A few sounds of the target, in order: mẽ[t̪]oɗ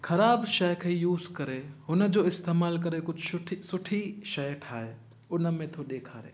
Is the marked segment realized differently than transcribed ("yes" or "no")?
yes